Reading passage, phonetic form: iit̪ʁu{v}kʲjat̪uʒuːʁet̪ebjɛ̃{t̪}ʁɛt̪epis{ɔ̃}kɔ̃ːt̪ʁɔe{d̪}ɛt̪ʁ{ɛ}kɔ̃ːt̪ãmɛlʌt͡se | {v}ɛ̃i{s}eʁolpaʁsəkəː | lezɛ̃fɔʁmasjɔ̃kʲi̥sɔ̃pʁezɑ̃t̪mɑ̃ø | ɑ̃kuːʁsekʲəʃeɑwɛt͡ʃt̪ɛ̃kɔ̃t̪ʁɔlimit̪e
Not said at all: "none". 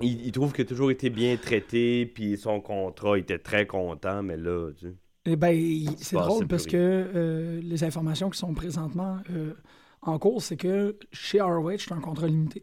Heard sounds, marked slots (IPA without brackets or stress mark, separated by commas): v, t̪, ɔ̃, t̪, ɛ, b, s